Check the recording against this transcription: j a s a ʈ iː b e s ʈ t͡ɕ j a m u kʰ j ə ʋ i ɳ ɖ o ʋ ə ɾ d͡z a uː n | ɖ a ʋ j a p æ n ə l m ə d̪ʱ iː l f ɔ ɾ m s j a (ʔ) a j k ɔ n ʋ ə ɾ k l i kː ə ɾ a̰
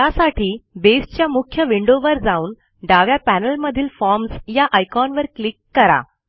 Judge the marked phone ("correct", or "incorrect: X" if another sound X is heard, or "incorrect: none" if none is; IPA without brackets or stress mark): correct